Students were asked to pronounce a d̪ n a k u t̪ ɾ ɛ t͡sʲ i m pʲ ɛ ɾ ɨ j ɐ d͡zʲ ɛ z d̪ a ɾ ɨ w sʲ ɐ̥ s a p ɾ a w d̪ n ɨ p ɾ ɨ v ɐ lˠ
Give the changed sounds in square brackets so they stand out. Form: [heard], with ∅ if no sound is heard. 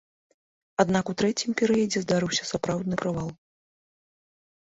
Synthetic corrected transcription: a d̪ n a k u t̪ ɾ ɛ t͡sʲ i m pʲ ɛ ɾ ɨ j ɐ d͡zʲ ɛ z d̪ a ɾ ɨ w sʲ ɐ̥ s a p ɾ a w d̪ n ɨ p ɾ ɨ v [a] lˠ